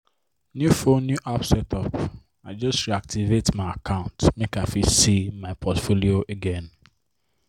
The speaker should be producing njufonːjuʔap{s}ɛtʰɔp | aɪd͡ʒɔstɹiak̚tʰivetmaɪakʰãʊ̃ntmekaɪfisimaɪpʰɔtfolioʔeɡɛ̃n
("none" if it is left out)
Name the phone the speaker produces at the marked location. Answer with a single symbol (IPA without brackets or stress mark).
s